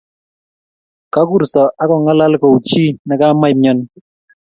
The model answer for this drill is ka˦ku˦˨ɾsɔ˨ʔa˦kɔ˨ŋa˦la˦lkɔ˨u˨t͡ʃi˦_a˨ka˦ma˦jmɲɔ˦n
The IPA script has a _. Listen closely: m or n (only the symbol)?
n